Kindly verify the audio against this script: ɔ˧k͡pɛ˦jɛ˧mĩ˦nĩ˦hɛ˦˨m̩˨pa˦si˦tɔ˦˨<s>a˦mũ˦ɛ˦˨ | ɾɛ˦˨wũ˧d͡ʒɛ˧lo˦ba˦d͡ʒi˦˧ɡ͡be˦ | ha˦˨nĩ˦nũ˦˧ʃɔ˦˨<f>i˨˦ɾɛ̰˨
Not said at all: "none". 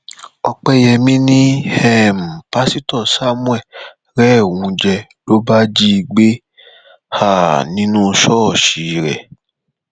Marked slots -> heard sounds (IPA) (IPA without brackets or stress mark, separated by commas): s, ʃ